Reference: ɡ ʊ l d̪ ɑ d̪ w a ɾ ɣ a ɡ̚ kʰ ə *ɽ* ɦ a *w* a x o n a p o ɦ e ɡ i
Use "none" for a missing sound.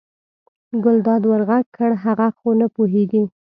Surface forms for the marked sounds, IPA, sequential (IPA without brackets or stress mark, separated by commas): ɽ, ɣ